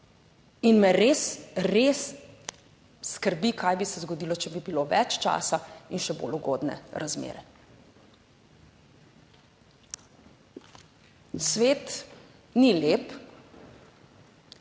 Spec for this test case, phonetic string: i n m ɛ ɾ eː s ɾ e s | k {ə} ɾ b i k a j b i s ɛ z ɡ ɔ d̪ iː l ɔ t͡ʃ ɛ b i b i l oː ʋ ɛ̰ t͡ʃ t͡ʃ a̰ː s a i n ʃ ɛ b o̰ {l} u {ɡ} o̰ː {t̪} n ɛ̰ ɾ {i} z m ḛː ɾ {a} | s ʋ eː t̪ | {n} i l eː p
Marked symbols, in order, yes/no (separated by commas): yes, yes, yes, no, no, no, yes